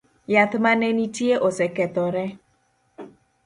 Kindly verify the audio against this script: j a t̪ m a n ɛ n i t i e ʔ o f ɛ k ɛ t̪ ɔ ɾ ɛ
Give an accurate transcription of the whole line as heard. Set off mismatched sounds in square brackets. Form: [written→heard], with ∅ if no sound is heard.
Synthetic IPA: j a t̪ m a n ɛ n i t i e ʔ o [f→s] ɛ k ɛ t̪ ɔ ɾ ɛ